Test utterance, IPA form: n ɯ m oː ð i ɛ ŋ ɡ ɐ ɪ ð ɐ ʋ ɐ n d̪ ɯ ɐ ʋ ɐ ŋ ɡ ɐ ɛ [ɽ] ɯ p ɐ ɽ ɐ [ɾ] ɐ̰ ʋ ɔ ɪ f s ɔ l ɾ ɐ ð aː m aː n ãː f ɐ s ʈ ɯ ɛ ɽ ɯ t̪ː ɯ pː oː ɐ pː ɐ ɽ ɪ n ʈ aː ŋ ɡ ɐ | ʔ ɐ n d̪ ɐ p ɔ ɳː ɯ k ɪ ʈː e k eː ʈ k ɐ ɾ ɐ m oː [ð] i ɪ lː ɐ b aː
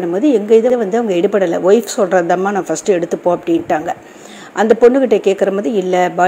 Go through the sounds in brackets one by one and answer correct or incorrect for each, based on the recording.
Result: correct, incorrect, correct

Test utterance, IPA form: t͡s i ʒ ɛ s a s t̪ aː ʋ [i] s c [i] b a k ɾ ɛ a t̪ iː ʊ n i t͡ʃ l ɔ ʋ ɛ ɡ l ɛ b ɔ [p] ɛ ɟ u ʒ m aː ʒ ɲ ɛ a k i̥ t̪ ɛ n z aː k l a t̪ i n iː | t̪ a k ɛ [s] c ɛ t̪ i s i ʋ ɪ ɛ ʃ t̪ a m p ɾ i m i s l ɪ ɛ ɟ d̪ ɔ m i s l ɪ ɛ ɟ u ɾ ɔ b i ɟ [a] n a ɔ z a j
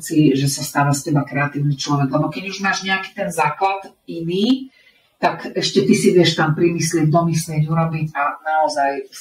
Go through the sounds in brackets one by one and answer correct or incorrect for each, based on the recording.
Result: incorrect, incorrect, incorrect, incorrect, correct

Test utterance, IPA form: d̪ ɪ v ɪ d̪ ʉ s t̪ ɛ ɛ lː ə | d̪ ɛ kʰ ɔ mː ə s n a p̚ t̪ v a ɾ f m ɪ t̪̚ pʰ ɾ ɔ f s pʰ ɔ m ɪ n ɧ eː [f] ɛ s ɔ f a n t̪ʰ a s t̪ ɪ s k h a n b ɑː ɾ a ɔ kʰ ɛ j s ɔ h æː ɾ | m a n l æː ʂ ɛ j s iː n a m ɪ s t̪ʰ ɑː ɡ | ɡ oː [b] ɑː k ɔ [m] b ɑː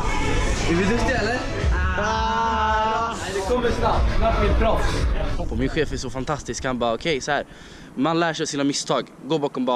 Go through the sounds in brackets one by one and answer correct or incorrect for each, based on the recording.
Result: correct, correct, correct

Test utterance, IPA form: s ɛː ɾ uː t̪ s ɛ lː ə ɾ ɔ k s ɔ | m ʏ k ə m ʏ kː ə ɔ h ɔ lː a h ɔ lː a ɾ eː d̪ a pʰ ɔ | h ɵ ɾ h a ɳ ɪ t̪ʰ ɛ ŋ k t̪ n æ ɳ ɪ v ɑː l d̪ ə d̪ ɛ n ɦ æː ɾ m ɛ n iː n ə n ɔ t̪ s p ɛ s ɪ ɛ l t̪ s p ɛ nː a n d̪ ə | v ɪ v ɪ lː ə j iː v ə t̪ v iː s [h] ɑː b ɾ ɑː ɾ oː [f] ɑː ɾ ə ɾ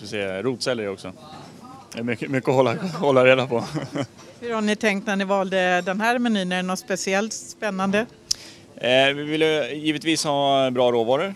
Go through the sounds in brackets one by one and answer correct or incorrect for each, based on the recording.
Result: correct, incorrect

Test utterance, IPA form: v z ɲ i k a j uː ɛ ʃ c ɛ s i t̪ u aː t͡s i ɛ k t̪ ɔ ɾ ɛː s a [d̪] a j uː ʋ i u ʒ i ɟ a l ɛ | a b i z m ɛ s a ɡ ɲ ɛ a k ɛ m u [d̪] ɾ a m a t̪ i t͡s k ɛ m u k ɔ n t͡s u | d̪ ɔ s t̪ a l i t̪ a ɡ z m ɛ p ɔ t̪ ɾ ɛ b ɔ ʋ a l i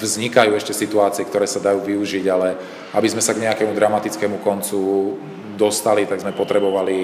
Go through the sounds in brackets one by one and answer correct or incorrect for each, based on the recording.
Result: correct, correct

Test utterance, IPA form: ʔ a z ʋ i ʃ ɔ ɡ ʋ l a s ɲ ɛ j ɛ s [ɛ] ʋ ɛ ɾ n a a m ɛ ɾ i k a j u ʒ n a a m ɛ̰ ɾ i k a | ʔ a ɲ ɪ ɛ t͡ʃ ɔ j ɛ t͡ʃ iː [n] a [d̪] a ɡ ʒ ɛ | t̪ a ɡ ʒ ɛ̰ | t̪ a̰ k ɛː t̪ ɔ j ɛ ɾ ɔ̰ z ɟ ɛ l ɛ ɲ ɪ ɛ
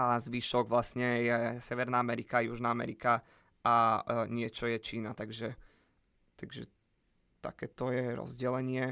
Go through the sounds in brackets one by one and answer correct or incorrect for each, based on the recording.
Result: correct, correct, incorrect

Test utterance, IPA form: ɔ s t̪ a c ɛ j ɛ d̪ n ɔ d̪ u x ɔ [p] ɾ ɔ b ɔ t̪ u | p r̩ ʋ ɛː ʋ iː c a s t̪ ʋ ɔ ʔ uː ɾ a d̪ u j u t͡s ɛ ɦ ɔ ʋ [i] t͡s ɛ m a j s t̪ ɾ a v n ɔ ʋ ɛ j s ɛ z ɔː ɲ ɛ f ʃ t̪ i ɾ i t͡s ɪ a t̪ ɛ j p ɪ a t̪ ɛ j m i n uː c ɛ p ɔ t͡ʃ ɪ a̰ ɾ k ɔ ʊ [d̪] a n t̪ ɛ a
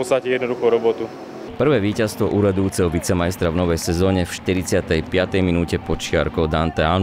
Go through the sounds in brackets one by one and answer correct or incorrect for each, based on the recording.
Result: incorrect, correct, correct

